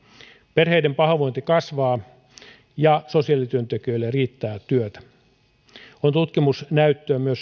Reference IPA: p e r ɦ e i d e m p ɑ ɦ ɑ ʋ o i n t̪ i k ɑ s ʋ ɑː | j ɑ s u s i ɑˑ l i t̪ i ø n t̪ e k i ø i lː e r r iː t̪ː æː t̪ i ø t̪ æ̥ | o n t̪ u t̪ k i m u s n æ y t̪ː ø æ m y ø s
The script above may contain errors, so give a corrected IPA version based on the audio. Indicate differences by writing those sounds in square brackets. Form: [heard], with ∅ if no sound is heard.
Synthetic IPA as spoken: p e r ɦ e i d e m p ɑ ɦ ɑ ʋ o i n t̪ i k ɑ s ʋ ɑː | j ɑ s [o] s i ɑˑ l i t̪ [y] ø n t̪ e k i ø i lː e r r iː t̪ː æː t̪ [y] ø t̪ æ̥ | o n t̪ u t̪ k i m u s n æ y t̪ː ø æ m y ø s